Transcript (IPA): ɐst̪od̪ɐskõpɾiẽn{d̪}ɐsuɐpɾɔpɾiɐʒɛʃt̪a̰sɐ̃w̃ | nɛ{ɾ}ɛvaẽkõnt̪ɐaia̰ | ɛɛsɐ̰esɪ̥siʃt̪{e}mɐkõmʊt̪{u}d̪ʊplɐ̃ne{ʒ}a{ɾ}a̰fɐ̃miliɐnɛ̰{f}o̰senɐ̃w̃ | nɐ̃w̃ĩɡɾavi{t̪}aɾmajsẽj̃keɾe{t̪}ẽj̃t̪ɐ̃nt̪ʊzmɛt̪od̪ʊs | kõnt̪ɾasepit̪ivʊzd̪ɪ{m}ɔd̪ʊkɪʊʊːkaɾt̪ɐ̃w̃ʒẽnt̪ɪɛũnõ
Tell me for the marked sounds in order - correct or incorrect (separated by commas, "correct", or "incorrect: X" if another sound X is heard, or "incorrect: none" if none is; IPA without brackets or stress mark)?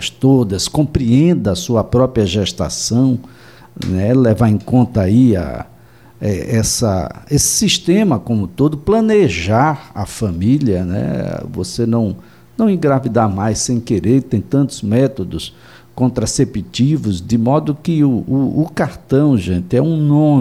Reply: correct, incorrect: l, incorrect: ẽ, incorrect: o, correct, correct, incorrect: v, incorrect: d̪, correct, correct